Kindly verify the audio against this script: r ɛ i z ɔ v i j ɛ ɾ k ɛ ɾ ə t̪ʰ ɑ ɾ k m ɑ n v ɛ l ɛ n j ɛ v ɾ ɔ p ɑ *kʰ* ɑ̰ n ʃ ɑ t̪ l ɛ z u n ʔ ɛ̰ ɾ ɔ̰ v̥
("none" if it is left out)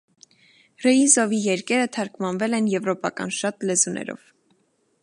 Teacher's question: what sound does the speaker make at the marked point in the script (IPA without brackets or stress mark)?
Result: k